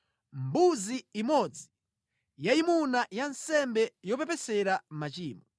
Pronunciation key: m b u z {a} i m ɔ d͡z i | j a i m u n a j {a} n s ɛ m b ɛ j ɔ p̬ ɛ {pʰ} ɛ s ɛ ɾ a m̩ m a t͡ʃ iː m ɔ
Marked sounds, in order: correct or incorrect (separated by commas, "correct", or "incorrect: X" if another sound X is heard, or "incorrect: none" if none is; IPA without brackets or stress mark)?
incorrect: i, correct, incorrect: p